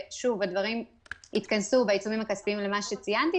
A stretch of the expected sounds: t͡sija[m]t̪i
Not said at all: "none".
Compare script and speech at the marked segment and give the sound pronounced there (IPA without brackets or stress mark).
n